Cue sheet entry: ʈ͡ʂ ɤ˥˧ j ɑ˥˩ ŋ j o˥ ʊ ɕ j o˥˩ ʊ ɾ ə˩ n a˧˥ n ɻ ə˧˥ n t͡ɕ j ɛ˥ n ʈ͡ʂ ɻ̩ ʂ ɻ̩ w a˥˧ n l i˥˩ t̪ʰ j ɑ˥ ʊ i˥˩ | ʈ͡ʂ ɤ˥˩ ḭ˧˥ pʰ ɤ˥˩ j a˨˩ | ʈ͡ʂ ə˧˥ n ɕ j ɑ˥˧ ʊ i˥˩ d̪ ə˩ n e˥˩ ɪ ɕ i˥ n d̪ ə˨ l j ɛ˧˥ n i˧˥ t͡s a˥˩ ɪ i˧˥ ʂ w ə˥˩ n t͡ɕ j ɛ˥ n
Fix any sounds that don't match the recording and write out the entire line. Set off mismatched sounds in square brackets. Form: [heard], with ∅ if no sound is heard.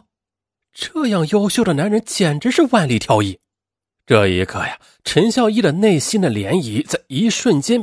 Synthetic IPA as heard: ʈ͡ʂ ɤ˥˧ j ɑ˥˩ ŋ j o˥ ʊ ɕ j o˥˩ ʊ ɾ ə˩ n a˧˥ n ɻ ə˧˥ n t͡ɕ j [ɛ˨˩] n ʈ͡ʂ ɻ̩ ʂ ɻ̩ w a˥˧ n l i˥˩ t̪ʰ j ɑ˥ ʊ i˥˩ | ʈ͡ʂ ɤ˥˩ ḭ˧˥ [kʰ] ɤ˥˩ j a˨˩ | [ʈ͡ʂʰ] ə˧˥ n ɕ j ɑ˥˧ ʊ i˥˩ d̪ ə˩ n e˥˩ ɪ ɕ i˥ n d̪ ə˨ l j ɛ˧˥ n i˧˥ t͡s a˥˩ ɪ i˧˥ ʂ w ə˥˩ n t͡ɕ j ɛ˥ n